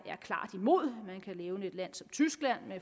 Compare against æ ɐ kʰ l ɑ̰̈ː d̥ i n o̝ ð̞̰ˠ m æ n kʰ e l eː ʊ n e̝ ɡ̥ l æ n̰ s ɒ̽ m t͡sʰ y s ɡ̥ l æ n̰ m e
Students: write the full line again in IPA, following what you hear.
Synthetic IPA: æ ɐ kʰ l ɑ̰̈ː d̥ i m o̝ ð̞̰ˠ m æ n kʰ æ l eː ʊ n e̝ d̥ l æ n̰ s ɒ̽ m t͡sʰ y s ɡ̥ l æ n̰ m e